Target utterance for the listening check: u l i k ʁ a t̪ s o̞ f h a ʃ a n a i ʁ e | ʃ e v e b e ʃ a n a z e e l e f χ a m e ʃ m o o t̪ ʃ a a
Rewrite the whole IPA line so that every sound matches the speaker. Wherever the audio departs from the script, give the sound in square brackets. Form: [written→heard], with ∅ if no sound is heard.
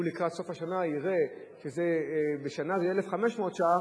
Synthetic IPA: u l i k ʁ a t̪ s o̞ f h a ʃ a n a i ʁ e | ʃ e [v→z] e b e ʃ a n a z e e l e f χ a m e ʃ m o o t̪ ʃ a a